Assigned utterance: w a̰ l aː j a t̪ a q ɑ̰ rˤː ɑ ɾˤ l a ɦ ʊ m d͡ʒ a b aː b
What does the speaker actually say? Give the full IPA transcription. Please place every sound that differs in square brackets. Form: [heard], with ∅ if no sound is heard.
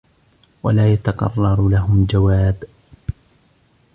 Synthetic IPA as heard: w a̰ l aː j a t̪ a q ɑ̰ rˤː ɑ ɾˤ l a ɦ ʊ m d͡ʒ a [w] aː b